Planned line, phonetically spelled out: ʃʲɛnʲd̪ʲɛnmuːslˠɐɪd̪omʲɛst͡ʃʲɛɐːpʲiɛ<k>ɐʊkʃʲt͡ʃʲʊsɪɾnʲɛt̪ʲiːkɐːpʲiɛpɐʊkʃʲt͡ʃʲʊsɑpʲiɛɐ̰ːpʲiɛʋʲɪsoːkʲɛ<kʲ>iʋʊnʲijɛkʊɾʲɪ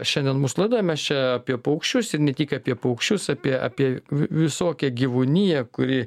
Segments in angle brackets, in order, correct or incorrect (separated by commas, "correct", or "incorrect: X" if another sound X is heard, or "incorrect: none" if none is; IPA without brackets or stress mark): incorrect: p, incorrect: ɡʲ